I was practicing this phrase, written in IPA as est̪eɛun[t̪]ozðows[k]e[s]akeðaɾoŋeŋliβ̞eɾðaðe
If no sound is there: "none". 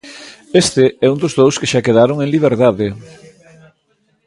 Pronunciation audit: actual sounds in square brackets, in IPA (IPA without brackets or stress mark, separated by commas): d̪, k, ʃ